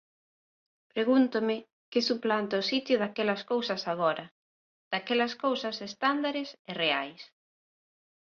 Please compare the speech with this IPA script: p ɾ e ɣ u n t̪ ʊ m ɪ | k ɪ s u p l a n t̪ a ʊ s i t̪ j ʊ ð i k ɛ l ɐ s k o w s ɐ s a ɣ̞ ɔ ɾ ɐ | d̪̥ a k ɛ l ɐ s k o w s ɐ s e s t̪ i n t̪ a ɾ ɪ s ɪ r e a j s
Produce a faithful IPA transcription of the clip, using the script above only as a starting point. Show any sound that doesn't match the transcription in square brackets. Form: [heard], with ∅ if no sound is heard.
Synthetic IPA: p ɾ e ɣ u n t̪ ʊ m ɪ | k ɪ s u p l a n t̪ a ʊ s i t̪ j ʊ ð [a] k ɛ l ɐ s k o w s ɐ s a ɣ̞ ɔ ɾ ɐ | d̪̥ a k ɛ l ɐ s k o w s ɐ s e s t̪ [a] n [d̪] a ɾ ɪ s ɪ r e a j s